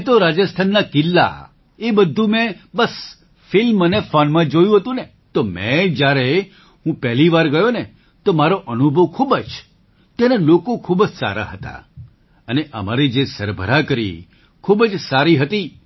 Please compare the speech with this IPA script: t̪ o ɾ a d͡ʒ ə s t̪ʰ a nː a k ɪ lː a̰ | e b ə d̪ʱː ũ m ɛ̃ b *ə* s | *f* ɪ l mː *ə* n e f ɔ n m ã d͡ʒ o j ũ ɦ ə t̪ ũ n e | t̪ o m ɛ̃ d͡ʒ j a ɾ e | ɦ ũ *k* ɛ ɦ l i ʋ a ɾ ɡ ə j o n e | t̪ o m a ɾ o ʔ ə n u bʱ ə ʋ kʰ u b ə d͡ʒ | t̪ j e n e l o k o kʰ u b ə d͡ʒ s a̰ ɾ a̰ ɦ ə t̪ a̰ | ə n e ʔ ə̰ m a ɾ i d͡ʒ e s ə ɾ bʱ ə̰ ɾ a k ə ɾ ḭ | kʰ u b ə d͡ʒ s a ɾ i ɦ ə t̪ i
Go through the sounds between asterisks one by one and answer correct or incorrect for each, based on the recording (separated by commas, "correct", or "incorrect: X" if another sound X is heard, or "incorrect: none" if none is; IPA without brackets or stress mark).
correct, correct, correct, incorrect: p